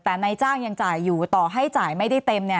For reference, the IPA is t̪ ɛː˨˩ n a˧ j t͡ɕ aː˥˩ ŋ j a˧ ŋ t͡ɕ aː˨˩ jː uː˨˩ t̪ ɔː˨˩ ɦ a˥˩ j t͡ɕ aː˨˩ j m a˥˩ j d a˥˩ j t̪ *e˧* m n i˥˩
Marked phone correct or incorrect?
correct